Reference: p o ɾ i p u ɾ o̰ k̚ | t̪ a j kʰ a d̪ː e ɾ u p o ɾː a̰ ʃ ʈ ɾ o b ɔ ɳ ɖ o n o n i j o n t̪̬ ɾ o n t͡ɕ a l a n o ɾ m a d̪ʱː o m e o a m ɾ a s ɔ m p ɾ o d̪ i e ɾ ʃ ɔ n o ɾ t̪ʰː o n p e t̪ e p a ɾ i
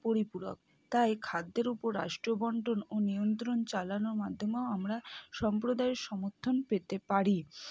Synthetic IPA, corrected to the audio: p o ɾ i p u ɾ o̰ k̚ | t̪ a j kʰ a d̪ː e ɾ u p o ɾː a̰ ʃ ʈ ɾ o b ɔ ɳ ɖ o n o n i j o n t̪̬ ɾ o n t͡ɕ a l a n o ɾ m a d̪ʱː o m e o a m ɾ a ʃ ɔ m p ɾ o d̪ a e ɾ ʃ ɔ m o ɾ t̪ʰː o n p e t̪ e p a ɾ i